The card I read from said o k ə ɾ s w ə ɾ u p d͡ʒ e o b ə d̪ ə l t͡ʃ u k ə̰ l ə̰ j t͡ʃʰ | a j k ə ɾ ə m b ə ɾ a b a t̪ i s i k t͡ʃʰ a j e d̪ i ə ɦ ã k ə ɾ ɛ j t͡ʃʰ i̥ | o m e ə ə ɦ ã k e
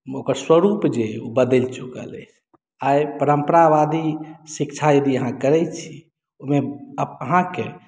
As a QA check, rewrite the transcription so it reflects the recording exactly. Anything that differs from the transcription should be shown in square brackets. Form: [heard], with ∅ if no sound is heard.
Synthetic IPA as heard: o k ə ɾ s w ə ɾ u p d͡ʒ e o b ə d̪ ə l t͡ʃ u k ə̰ l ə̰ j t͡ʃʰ | a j [p] ə ɾ ə m [p] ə ɾ a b a [d̪] i s i k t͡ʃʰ a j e d̪ i ə ɦ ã k ə ɾ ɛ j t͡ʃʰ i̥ | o m e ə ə ɦ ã k e